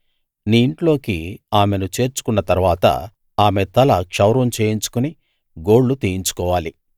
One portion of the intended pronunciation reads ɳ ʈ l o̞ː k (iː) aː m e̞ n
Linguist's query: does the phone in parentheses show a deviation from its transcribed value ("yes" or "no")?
yes